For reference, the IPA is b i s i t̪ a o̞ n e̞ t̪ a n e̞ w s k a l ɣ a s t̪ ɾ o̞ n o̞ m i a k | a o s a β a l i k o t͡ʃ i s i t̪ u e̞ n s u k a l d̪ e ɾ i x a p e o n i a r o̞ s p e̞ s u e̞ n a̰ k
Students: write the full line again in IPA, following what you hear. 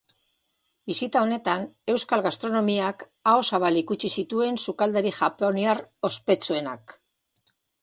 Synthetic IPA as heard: b i s i t̪ a o̞ n e̞ t̪ a n e̞ w s k a l ɣ a s t̪ ɾ o̞ n o̞ m i a k | a o s a β a l i k u t͡ʃ i s i t̪ u e̞ n s u k a l d̪ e ɾ i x a p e o n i a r o̞ s p e̞ t͡s u e̞ n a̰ k